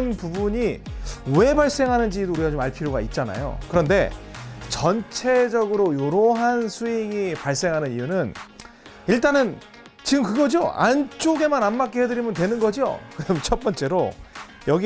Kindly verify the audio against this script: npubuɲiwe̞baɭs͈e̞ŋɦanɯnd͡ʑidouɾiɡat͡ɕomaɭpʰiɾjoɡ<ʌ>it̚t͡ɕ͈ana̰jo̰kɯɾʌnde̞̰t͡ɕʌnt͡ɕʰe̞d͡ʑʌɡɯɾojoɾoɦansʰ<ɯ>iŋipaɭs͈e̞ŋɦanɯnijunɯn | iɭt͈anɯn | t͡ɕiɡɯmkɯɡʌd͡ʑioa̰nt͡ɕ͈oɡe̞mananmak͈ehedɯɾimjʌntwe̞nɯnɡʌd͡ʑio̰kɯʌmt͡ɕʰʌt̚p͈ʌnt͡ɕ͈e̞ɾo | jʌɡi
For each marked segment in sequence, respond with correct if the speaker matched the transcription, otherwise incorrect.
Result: incorrect: a, incorrect: u

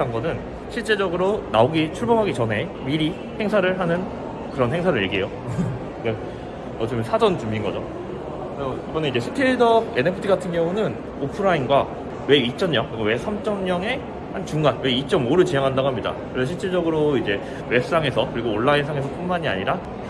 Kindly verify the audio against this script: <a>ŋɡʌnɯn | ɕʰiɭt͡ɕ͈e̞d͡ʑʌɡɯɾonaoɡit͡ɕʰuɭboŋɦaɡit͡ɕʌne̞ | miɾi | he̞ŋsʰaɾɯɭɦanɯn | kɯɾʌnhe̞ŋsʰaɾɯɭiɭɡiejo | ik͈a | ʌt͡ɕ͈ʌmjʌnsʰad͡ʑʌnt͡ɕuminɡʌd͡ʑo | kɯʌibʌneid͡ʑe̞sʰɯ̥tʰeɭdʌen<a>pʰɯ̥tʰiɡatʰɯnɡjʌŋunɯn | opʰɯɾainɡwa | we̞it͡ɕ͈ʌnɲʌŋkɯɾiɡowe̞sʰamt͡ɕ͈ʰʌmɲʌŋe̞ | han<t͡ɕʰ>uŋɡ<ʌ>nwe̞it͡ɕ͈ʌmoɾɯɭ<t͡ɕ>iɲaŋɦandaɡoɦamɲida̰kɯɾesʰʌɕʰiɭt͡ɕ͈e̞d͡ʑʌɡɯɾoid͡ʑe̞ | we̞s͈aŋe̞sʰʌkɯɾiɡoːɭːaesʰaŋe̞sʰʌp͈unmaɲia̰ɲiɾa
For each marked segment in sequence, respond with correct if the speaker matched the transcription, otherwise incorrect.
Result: correct, incorrect: e, incorrect: t͡ɕ, incorrect: a, correct

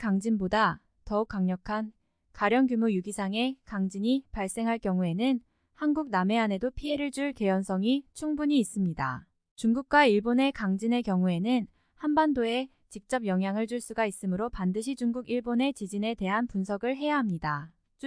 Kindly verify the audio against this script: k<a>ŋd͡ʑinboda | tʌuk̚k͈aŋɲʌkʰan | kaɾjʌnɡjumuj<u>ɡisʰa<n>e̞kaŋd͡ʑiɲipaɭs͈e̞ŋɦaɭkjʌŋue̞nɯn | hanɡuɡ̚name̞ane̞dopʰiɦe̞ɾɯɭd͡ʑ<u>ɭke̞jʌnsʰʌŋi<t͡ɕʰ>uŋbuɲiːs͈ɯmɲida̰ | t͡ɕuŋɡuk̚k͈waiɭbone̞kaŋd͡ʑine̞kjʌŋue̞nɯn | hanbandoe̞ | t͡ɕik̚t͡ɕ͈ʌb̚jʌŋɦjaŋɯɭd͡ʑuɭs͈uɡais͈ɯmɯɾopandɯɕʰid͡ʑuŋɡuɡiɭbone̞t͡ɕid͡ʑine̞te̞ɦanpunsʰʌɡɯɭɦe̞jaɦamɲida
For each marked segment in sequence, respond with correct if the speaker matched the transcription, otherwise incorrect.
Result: correct, correct, incorrect: ŋ, correct, correct

